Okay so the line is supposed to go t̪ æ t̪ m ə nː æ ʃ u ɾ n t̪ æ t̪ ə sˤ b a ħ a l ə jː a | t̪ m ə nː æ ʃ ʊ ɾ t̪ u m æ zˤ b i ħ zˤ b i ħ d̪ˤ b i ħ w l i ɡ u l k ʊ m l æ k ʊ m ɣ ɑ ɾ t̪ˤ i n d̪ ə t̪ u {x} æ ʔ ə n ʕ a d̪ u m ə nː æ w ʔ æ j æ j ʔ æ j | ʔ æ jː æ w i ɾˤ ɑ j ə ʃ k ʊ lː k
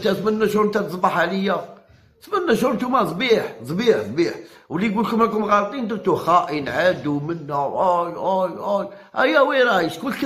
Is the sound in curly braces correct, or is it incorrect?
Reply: correct